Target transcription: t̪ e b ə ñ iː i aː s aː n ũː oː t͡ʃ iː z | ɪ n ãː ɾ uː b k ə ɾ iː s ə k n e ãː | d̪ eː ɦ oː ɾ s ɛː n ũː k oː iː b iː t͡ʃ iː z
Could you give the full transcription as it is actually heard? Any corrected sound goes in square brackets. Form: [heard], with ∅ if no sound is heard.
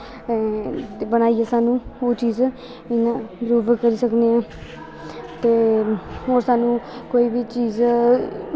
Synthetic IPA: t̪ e b ə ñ [aː] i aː s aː n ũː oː t͡ʃ iː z | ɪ n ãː ɾ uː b k ə ɾ iː s ə k n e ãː | [t̪] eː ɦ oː ɾ s [aː] n ũː k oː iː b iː t͡ʃ iː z